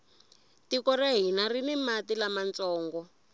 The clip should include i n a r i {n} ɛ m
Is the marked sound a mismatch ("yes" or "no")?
no